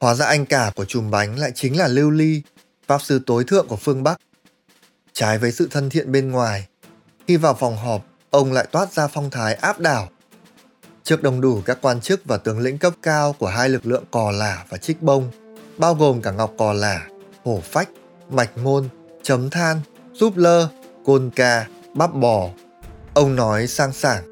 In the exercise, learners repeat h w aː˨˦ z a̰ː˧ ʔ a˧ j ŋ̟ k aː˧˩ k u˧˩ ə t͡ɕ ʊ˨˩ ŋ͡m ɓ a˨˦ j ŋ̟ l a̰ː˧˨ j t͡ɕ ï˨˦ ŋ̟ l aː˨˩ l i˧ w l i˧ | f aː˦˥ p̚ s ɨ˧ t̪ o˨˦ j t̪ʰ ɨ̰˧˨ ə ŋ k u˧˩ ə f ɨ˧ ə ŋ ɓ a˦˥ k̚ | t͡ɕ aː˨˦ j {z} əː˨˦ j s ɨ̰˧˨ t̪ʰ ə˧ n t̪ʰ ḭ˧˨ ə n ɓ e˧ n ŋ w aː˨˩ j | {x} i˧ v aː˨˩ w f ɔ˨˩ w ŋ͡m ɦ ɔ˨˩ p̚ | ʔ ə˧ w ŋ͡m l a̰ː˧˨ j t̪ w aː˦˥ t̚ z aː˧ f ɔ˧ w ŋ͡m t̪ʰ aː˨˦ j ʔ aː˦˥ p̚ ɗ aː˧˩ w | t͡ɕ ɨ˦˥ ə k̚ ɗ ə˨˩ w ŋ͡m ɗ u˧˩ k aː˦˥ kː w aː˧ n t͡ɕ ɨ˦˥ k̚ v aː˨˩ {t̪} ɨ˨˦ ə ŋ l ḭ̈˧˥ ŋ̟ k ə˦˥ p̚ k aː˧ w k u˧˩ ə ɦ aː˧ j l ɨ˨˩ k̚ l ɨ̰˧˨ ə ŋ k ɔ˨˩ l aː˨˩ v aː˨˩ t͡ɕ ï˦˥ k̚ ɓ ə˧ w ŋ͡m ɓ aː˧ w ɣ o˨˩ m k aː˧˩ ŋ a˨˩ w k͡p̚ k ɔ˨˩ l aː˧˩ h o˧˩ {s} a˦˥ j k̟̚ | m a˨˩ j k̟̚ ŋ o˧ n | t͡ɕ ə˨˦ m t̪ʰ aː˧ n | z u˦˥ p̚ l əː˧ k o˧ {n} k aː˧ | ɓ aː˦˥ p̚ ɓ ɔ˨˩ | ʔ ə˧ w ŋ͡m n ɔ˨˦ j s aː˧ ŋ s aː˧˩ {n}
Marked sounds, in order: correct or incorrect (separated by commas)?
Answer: incorrect, correct, correct, incorrect, correct, incorrect